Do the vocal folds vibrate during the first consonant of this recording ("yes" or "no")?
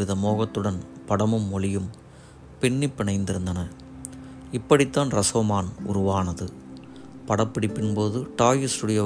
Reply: yes